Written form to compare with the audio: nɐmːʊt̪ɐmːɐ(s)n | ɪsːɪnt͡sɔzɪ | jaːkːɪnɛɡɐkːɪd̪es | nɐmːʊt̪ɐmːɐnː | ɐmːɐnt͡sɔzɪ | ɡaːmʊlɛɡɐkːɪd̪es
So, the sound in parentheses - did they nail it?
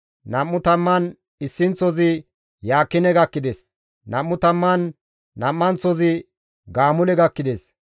no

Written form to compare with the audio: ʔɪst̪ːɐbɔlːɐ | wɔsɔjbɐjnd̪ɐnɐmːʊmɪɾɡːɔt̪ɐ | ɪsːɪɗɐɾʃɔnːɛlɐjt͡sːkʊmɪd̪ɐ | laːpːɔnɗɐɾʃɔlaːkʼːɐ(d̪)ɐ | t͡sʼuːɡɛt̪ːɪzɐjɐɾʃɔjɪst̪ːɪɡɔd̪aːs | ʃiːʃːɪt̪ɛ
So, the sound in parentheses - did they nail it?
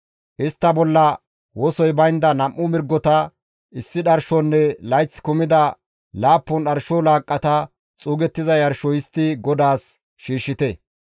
no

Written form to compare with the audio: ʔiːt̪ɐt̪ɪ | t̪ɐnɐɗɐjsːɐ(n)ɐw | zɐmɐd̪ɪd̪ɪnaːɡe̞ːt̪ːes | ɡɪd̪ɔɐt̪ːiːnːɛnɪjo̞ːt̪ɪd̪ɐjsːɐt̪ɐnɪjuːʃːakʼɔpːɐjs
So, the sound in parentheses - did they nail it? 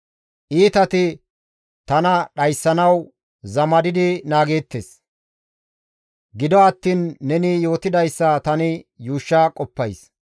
yes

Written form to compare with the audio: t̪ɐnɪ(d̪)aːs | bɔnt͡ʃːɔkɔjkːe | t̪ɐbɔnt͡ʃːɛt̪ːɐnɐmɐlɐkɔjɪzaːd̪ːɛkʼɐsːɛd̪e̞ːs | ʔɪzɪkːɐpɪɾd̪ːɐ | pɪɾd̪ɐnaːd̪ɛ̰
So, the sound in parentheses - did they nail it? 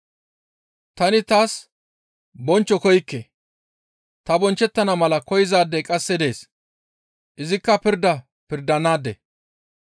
no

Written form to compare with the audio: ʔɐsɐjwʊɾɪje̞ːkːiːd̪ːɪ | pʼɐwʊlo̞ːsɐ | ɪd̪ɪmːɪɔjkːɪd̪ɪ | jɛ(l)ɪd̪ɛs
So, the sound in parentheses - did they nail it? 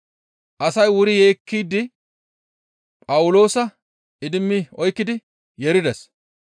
no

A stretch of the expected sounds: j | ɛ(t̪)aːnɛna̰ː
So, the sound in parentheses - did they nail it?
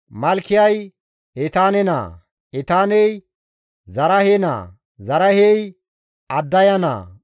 yes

